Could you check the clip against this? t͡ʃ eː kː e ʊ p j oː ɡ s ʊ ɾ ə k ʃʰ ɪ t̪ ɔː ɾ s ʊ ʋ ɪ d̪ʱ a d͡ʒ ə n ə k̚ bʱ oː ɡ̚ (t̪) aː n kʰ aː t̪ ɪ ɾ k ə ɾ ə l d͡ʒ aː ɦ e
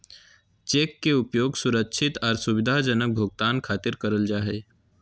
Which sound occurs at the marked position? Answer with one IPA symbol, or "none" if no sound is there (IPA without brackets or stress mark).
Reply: t̪